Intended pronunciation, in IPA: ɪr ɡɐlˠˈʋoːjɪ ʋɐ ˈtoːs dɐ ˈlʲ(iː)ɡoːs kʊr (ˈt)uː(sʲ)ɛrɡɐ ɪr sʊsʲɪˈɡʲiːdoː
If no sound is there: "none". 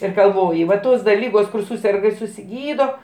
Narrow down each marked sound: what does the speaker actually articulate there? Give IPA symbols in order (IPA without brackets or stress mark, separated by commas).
iː, s, sʲ